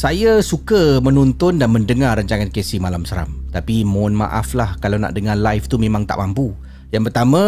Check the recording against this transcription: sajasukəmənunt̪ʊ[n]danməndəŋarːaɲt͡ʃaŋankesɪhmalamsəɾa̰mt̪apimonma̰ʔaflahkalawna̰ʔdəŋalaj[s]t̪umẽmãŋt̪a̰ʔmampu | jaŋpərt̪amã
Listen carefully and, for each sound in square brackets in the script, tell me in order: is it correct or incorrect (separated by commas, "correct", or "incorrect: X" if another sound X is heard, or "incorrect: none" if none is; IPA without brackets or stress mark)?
correct, incorrect: f